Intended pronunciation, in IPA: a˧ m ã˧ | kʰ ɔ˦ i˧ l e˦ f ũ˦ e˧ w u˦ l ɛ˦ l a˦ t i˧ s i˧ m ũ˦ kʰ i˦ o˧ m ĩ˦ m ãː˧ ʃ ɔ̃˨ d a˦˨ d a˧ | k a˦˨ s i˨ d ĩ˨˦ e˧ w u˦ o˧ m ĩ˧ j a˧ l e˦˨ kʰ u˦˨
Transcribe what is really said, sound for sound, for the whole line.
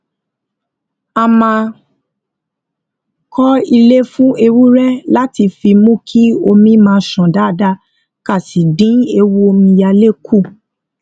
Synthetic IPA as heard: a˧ m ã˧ | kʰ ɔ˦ i˧ l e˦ f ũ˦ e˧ w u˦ ɾ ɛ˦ l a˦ t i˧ f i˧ m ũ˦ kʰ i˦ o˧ m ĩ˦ m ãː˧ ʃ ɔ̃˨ d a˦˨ d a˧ | k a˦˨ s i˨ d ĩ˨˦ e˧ w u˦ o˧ m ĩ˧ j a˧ l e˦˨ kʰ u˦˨